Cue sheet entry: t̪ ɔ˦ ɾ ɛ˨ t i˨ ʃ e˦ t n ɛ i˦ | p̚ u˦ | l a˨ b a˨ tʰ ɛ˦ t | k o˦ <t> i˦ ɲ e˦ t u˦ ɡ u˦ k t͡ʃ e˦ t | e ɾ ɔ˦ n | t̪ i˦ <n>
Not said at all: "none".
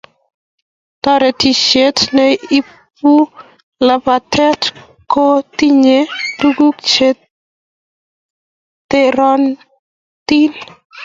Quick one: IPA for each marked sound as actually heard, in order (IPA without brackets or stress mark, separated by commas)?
t, n